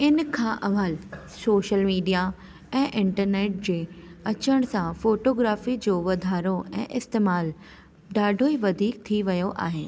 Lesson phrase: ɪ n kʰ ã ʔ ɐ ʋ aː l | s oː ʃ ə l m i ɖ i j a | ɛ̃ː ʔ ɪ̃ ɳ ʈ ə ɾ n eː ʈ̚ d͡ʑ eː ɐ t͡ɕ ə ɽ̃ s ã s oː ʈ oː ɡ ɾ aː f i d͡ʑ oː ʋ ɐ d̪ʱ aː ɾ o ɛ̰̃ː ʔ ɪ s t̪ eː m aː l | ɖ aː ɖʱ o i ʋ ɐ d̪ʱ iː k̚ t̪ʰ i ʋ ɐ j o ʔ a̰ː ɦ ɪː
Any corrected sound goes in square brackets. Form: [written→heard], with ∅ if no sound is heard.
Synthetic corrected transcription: ɪ n kʰ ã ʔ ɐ ʋ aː l | s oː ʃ ə l m [i→iː] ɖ i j a | ɛ̃ː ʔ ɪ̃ ɳ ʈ ə ɾ n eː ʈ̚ d͡ʑ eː ɐ t͡ɕ ə ɽ̃ s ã [s→f] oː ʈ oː ɡ ɾ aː f i d͡ʑ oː ʋ ɐ d̪ʱ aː ɾ o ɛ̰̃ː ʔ ɪ s t̪ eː m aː l | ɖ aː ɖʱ o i ʋ ɐ d̪ʱ iː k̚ t̪ʰ i ʋ ɐ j o ʔ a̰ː ɦ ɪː